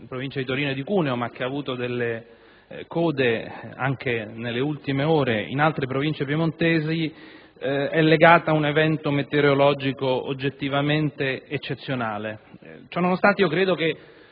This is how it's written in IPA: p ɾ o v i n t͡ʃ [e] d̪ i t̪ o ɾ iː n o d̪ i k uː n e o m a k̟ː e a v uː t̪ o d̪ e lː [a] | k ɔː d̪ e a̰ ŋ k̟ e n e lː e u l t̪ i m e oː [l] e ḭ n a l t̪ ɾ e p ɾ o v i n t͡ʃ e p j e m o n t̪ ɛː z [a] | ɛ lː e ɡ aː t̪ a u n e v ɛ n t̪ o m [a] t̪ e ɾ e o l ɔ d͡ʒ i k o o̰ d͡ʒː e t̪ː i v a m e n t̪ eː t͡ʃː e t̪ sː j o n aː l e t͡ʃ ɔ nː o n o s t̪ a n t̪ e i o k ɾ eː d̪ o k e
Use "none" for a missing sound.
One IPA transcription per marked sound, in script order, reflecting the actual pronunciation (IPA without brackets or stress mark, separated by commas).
a, e, ɾ, i, e